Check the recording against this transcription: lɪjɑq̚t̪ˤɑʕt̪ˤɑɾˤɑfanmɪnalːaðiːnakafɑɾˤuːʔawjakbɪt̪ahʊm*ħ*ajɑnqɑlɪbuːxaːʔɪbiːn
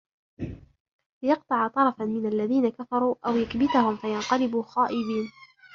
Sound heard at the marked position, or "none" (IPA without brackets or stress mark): f